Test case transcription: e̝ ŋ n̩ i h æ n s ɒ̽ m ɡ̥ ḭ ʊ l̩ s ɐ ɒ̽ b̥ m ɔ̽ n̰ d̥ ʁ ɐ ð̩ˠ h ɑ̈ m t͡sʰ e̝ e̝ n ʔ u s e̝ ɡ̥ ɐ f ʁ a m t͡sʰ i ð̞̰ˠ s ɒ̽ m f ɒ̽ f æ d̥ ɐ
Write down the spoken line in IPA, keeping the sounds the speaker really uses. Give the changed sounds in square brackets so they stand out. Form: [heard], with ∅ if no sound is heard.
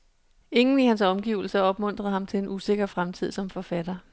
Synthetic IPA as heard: e̝ ŋ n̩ i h æ n s ɒ̽ m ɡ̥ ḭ ʊ l̩ s ɐ ɒ̽ b̥ m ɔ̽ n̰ d̥ ʁ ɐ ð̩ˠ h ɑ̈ m t͡sʰ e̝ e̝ n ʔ u s e̝ ɡ̥ ɐ f ʁ a m t͡sʰ i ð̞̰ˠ s ɒ̽ m f ɒ̽ f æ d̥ ɐ